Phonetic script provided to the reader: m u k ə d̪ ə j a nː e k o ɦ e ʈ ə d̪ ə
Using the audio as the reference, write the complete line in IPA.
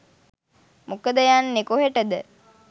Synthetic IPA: m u k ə d̪ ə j a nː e k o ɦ e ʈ ə d̪ ə